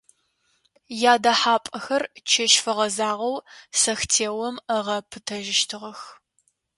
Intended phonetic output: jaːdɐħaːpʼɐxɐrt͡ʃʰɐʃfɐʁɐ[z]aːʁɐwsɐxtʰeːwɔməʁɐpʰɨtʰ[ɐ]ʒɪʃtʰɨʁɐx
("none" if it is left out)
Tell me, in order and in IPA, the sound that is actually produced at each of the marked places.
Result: z, ɐ

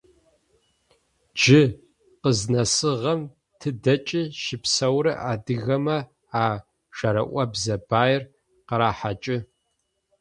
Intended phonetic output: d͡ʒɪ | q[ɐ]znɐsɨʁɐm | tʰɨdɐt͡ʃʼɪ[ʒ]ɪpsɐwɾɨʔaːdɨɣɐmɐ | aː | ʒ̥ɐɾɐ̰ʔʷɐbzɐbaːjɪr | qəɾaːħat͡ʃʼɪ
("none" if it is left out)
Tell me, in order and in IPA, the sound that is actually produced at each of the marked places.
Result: ə, ʃ

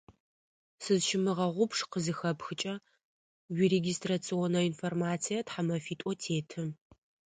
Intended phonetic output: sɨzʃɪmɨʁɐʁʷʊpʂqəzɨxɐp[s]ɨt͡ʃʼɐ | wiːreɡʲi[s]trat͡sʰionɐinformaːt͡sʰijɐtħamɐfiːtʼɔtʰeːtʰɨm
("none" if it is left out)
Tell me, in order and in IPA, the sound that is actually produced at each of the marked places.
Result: x, s

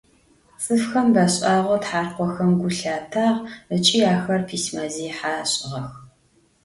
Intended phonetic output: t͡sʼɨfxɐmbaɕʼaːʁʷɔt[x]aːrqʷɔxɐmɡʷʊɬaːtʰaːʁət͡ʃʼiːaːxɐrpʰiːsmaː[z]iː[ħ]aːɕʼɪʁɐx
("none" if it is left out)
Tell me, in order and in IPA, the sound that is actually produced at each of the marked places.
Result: ħ, z, ħ

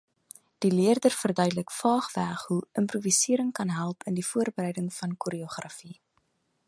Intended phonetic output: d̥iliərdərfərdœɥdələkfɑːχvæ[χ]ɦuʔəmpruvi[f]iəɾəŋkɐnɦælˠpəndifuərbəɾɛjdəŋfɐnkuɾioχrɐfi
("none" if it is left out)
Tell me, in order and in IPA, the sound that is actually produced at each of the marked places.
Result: χ, s

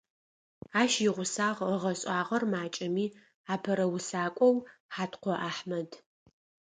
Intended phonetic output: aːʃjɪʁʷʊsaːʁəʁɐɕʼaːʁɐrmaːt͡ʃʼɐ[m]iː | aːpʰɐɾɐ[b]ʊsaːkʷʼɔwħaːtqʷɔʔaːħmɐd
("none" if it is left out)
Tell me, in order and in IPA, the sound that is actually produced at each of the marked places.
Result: m, w

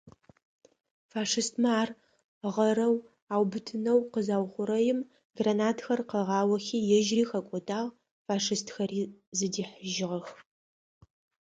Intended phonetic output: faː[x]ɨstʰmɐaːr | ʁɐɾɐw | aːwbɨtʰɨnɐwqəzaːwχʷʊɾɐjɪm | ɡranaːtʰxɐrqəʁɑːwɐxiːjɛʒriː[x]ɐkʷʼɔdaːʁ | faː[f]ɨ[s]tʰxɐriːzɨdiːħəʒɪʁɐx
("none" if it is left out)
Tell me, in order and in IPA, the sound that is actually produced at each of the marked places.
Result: ʂ, x, ʂ, s

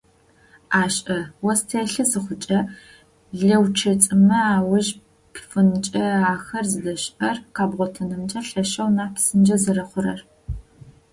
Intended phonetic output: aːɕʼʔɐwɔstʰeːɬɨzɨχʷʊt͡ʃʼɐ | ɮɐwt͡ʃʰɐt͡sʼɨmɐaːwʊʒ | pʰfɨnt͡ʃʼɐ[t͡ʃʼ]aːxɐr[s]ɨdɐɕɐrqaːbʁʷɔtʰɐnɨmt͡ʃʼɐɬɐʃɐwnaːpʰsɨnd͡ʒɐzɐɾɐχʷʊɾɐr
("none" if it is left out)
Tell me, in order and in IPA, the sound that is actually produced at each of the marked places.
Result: none, z

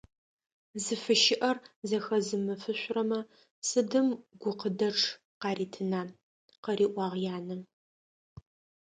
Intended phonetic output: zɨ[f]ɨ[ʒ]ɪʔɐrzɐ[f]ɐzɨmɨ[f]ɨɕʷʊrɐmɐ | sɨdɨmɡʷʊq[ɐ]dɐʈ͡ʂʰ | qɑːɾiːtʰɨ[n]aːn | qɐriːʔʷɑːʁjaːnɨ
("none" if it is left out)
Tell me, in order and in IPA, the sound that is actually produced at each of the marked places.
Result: f, ʃ, x, f, ə, n

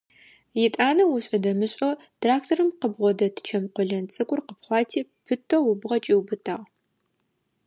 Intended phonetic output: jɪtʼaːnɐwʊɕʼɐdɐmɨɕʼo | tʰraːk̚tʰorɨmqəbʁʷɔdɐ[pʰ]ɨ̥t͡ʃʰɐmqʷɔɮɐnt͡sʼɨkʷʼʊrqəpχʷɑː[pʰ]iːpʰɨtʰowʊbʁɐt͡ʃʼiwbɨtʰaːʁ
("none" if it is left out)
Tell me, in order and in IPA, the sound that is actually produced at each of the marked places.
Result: tʰ, tʰ

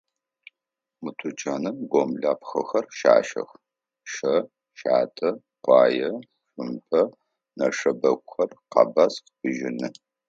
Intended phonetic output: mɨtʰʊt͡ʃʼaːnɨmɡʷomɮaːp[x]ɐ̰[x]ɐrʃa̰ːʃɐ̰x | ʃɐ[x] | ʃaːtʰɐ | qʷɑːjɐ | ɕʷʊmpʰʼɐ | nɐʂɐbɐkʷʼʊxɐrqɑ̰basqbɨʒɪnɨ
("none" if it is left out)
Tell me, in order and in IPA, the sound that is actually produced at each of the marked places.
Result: x, x, none

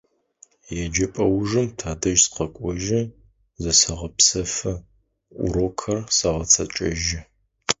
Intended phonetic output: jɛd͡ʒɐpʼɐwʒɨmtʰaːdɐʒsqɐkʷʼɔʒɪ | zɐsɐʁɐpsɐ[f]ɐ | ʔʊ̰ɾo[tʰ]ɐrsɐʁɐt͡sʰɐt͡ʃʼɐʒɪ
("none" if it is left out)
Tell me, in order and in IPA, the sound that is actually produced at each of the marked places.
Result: f, kʰ

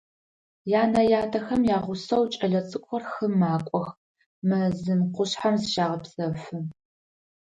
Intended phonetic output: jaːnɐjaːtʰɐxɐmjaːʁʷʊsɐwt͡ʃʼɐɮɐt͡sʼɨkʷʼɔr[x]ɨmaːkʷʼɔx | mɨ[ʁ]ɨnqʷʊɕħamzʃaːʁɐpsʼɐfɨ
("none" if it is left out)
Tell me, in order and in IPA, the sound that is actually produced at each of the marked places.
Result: x, z

